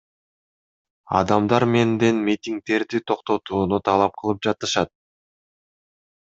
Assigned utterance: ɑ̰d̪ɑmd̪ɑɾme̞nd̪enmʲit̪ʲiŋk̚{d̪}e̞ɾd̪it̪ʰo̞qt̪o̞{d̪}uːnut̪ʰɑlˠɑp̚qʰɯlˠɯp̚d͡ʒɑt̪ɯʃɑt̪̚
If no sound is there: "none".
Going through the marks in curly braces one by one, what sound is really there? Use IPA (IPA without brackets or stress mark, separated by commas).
t̪, t̪